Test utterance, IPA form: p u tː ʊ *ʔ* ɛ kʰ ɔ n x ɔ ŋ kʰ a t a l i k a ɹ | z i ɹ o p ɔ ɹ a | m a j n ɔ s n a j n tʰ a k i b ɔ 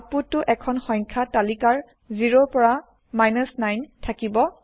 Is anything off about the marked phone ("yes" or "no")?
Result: no